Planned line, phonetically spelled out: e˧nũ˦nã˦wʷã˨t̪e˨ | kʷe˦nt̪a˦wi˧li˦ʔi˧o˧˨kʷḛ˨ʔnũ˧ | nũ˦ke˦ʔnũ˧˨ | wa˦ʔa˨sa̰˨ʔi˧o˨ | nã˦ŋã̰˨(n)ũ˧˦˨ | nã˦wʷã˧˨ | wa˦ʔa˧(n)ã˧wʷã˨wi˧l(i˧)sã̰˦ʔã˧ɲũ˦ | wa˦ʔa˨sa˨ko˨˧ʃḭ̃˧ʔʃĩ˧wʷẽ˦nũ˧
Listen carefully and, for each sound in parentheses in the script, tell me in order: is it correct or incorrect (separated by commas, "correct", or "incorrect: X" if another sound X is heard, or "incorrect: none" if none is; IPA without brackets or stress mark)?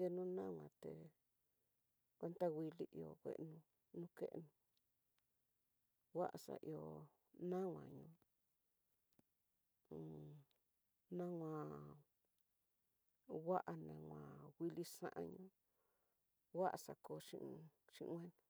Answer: incorrect: ɲ, correct, correct